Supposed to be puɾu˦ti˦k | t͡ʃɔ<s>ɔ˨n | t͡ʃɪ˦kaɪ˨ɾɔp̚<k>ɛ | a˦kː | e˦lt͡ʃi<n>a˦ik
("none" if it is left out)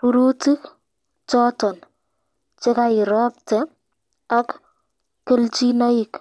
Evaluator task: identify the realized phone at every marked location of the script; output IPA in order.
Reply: t, t, n

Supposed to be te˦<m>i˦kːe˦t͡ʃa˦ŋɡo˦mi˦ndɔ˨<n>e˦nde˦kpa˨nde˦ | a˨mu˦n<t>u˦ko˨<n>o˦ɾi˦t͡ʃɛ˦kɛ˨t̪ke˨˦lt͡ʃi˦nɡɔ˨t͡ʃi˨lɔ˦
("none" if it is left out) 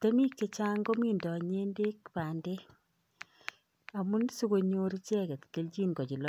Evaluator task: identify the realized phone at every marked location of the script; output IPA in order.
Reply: m, ɲ, s, ɲ

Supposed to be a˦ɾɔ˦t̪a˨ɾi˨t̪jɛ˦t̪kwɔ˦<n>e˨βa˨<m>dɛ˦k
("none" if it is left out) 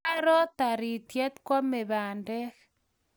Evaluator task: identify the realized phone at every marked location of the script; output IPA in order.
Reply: m, n

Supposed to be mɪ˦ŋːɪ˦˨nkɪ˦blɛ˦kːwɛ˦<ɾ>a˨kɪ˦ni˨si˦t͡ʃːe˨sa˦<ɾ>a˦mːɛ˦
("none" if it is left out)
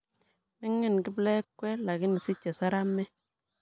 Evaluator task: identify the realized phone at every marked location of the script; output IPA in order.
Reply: l, ɾ

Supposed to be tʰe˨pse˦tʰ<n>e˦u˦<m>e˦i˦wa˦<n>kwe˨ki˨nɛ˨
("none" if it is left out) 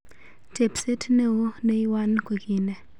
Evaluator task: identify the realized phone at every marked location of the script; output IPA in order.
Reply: n, n, n

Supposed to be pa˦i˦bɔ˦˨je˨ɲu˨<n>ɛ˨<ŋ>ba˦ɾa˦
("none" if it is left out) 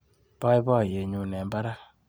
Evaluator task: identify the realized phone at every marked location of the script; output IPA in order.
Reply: n, m

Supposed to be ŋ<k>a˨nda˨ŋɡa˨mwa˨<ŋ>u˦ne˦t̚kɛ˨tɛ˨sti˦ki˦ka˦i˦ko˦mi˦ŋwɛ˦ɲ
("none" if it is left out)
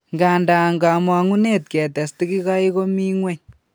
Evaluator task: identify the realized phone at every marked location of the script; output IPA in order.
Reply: ɡ, ŋ

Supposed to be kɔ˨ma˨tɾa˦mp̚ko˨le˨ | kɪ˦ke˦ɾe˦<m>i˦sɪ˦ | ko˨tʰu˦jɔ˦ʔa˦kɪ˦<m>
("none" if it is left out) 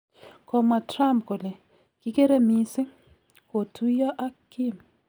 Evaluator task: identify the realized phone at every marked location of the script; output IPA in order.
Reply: m, m

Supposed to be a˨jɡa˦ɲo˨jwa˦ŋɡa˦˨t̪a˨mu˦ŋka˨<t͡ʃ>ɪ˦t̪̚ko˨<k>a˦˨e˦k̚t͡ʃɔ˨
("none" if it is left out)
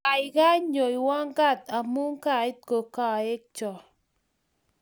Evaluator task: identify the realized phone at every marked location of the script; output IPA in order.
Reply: none, k

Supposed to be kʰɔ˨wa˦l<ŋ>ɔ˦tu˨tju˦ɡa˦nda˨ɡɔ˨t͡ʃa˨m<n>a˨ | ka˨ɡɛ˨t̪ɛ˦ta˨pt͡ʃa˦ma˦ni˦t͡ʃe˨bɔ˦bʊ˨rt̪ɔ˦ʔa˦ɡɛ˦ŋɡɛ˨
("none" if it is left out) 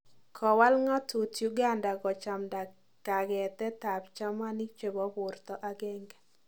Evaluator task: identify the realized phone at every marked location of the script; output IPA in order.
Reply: ŋ, d

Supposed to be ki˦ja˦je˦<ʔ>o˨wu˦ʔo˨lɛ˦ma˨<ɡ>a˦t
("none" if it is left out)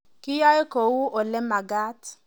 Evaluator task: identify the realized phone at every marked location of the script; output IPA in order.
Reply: k, ɡ

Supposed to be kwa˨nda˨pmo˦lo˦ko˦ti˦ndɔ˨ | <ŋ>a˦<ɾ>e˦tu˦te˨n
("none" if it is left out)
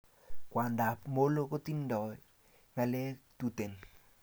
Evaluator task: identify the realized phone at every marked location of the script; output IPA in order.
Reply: ŋ, l

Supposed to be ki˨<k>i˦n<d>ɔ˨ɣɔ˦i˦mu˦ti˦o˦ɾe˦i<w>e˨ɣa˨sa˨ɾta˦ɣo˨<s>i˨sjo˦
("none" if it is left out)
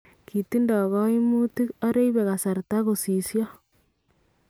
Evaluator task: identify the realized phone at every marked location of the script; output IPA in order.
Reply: t, d, β, s

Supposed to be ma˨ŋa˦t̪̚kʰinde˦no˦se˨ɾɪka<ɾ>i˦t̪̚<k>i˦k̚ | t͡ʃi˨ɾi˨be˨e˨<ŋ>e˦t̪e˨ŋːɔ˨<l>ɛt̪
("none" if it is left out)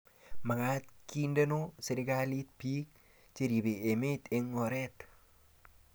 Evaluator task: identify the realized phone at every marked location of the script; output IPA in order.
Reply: l, p, m, ɾ

